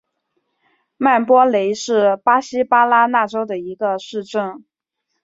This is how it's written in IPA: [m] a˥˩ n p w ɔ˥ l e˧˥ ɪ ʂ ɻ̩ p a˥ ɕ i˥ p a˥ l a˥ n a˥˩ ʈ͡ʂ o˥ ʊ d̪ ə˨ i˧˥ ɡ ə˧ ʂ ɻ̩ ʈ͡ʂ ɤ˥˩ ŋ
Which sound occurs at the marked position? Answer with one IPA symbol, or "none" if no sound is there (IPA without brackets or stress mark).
m